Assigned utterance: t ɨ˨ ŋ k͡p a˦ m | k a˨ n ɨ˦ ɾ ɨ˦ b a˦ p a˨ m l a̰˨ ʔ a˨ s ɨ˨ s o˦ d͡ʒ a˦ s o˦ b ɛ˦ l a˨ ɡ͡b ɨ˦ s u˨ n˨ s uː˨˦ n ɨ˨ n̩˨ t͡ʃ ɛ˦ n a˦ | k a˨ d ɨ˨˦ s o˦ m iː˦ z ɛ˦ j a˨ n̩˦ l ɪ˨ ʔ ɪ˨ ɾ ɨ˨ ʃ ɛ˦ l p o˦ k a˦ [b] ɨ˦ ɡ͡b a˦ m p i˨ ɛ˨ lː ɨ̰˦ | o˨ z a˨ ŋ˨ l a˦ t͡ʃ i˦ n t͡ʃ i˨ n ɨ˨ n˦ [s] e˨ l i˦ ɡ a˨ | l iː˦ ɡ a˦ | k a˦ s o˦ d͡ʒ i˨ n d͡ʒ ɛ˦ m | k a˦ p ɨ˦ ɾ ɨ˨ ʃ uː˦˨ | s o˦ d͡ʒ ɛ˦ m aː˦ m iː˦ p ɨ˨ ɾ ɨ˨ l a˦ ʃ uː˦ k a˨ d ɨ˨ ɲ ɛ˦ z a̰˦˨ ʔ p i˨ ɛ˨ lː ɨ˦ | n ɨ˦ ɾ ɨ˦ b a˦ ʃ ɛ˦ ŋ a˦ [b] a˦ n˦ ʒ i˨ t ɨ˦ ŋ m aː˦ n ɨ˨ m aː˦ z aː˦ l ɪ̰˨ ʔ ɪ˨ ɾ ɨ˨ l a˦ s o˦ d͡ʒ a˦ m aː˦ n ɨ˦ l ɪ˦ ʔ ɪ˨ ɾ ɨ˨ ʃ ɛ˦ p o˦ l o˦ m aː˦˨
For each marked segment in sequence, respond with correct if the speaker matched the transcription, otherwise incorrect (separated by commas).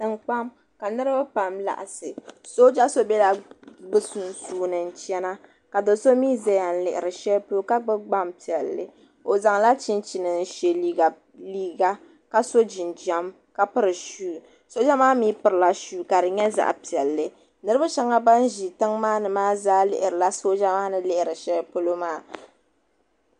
incorrect, incorrect, correct